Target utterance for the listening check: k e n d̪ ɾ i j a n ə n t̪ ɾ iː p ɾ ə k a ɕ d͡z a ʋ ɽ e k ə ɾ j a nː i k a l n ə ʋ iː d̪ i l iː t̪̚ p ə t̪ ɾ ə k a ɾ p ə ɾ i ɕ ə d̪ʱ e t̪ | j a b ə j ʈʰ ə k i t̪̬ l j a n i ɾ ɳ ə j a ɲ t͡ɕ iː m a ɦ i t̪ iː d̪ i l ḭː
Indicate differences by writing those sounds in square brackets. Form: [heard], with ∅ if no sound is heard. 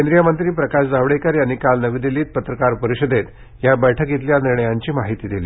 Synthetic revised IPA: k e n d̪ ɾ i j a [m] ə n t̪ ɾ iː p ɾ ə k a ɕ d͡z a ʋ ɽ e k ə ɾ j a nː i k a l n ə ʋ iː d̪ i l iː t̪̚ p ə t̪ ɾ ə k a ɾ p ə ɾ i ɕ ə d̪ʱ e t̪ | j a b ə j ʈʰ ə k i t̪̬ l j a n i ɾ ɳ ə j a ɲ t͡ɕ iː m a ɦ i t̪ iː d̪ i l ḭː

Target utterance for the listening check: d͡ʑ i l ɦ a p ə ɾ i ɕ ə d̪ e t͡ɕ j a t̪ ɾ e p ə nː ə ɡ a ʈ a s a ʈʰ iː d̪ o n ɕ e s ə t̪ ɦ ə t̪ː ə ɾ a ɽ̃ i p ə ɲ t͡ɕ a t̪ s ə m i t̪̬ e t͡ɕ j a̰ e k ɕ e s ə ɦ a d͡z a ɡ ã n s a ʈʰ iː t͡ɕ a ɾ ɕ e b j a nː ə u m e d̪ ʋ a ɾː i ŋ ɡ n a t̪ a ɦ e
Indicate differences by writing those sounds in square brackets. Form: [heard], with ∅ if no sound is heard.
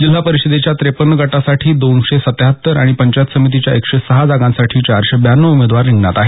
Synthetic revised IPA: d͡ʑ i l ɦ a p ə ɾ i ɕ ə d̪ e t͡ɕ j a t̪ ɾ e p ə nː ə ɡ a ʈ a s a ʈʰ iː d̪ o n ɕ e s ə t̪ ɦ ə t̪ː ə ɾ a ɽ̃ i p ə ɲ t͡ɕ a t̪ s ə m i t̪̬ [i] t͡ɕ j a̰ e k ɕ e s ə ɦ a d͡z a ɡ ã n s a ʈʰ iː t͡ɕ a ɾ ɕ e b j a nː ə u m e d̪ ʋ a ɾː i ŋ ɡ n a t̪ a ɦ e

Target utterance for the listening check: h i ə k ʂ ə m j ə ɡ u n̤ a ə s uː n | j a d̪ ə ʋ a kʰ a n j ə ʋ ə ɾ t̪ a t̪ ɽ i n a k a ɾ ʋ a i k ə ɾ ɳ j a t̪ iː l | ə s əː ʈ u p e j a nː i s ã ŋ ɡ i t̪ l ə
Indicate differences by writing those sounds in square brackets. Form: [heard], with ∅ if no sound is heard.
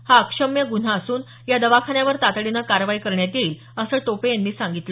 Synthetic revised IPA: h [a] ə k ʂ ə m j ə ɡ u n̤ a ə s uː n | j a d̪ ə ʋ a kʰ a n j [a] ʋ ə ɾ t̪ a t̪ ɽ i n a k a ɾ ʋ a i k ə ɾ ɳ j a t̪ iː l | ə s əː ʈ [o] p e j a nː [iː] s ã ŋ ɡ i t̪ l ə

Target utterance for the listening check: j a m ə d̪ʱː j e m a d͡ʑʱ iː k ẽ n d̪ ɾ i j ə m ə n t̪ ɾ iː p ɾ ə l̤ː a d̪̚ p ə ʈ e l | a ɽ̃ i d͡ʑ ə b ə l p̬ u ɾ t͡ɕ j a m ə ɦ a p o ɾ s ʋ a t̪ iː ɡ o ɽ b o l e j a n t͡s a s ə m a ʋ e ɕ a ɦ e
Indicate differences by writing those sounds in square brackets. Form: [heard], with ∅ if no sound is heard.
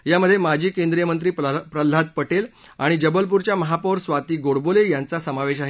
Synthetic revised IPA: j a m ə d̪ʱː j e m a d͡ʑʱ iː k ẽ n d̪ ɾ i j ə m ə n t̪ ɾ iː p ɾ ə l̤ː a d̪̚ p ə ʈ e l | a ɽ̃ i d͡ʑ ə b ə l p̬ u ɾ t͡ɕ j a m ə ɦ a p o ɾ s ʋ a t̪ iː ɡ o ɽ b o l e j a n t͡s a s ə m a ʋ e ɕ a ɦ e

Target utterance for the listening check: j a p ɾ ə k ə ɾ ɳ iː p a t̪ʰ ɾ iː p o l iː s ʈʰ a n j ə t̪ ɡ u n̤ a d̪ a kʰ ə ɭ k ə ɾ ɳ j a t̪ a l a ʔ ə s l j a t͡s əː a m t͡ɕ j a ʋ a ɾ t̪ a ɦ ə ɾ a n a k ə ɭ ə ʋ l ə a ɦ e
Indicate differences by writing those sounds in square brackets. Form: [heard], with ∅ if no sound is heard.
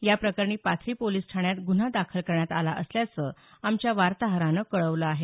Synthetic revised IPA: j a p ɾ ə k ə ɾ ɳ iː p a t̪ʰ ɾ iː p o l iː s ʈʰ a [ɳ] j [a] t̪ ɡ u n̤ a d̪ a kʰ ə [l] k ə ɾ ɳ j a t̪ a l a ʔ ə s l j a t͡s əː a m t͡ɕ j a ʋ a ɾ t̪ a ɦ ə ɾ a n [ə] k ə ɭ ə ʋ l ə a ɦ e

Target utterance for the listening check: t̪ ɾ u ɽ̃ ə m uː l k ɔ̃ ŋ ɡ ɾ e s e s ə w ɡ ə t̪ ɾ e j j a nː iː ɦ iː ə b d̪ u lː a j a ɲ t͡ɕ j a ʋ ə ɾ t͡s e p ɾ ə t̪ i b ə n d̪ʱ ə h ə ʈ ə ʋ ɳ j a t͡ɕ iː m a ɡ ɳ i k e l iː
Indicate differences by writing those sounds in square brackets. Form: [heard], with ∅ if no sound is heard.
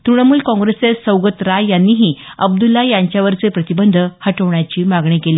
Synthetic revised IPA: t̪ ɾ u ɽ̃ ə m uː l k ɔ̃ ŋ ɡ ɾ e s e s ə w ɡ ə t̪ ɾ [a] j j a nː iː ɦ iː ə b d̪ u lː a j a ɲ t͡ɕ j a ʋ ə ɾ t͡s e p ɾ ə t̪ i b ə n d̪ʱ ə h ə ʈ ə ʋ ɳ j a t͡ɕ iː m a ɡ ɳ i k e l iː

